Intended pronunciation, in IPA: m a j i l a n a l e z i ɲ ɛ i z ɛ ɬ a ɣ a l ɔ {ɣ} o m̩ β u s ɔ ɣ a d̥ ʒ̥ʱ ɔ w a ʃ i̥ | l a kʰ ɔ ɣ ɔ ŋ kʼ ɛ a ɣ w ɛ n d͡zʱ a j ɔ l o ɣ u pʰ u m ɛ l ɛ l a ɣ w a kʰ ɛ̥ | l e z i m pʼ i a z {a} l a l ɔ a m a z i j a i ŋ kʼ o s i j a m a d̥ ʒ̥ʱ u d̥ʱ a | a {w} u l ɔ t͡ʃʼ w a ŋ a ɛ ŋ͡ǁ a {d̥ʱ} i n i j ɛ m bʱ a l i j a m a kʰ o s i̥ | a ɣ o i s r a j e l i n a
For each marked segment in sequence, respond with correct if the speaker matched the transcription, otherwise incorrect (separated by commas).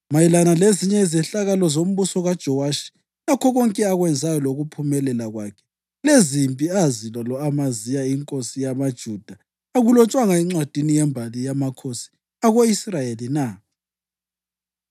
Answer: incorrect, incorrect, incorrect, correct